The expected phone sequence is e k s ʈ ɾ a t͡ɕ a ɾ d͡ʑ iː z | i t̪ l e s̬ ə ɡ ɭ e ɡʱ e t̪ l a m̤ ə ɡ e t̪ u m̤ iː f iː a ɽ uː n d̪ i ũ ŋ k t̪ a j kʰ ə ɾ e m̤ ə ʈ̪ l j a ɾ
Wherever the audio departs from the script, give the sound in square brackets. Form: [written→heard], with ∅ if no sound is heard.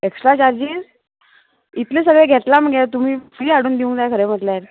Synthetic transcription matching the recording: e k s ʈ ɾ a t͡ɕ a ɾ d͡ʑ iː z | i t̪ l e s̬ ə ɡ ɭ e ɡʱ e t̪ l a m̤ ə ɡ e t̪ u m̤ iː f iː a ɽ uː n d̪ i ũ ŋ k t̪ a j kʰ ə ɾ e m̤ ə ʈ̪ l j a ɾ